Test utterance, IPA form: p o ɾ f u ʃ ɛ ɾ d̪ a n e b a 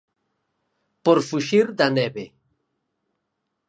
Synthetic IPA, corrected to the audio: p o ɾ f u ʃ i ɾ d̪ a n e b e